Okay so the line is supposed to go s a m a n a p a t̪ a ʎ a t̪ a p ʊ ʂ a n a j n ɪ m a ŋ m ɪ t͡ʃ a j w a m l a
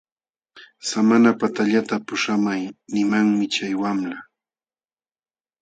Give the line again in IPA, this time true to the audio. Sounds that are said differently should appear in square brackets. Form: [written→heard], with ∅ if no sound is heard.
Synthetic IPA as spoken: s a m a n a p a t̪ a ʎ a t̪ a p ʊ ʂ a [n→m] a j n ɪ m a ŋ m ɪ t͡ʃ a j w a m l a